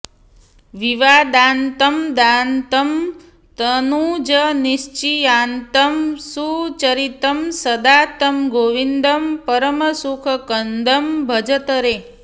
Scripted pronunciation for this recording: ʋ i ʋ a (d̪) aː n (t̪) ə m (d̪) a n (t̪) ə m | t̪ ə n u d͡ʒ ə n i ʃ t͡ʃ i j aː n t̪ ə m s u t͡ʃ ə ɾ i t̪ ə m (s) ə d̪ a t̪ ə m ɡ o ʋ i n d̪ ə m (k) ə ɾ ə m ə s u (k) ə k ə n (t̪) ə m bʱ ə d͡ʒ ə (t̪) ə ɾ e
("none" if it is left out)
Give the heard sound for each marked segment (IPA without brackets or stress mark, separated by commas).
d̪, t̪, d̪, t̪, s, p, kʰ, d̪, t̪